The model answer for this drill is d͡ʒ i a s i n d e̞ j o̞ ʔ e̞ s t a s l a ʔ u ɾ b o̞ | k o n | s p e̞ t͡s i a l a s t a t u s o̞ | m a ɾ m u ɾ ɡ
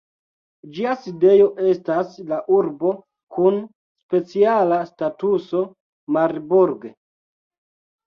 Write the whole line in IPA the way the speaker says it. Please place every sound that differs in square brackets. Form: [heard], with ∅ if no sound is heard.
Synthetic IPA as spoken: d͡ʒ i a s i [∅] d e̞ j o̞ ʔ e̞ s t a s l a ʔ u ɾ b o̞ | k [u] n | s p e̞ t͡s i a l a s t a t u s o̞ | m a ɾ [b] u ɾ ɡ